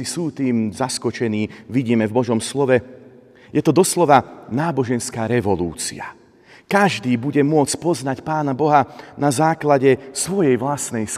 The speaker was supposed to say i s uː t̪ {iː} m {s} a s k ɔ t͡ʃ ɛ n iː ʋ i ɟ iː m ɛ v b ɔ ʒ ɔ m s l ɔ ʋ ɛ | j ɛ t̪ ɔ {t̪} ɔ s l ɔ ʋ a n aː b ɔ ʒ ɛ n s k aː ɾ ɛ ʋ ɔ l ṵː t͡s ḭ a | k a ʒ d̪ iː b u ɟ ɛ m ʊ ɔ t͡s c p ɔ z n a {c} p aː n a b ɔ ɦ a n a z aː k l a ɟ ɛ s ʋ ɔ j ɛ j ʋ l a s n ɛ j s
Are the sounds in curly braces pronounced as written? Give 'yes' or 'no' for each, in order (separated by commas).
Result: yes, no, no, yes